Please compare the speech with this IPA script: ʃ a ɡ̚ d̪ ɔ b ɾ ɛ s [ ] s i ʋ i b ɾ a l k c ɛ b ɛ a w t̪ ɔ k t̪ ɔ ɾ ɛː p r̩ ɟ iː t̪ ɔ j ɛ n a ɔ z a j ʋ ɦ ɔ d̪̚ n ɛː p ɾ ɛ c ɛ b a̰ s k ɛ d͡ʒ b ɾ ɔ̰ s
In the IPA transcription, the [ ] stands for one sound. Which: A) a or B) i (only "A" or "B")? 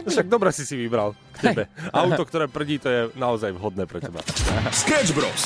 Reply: B